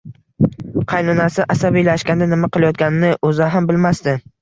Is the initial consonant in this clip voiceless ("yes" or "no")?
yes